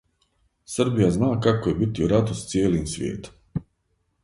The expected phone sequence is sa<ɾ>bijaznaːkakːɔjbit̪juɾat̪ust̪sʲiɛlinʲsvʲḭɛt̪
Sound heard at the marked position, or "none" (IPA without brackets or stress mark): ɾ